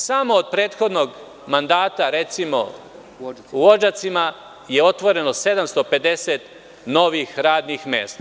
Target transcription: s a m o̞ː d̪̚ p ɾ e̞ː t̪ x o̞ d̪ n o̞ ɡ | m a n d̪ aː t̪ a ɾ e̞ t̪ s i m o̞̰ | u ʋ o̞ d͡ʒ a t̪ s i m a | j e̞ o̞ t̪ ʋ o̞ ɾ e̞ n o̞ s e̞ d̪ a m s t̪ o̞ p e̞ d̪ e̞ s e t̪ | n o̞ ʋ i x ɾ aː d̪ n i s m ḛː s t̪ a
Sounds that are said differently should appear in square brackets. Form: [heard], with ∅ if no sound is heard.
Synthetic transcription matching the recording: s a m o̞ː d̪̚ p ɾ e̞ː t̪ x o̞ d̪ n o̞ ɡ | m a n d̪ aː t̪ a ɾ e̞ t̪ s i m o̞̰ | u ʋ o̞ d͡ʒ a t̪ s i m a | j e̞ o̞ t̪ ʋ o̞ ɾ e̞ n o̞ s e̞ d̪ a m s t̪ o̞ p e̞ d̪ e̞ s e t̪ | n o̞ ʋ i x ɾ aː d̪ n i [x] m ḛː s t̪ a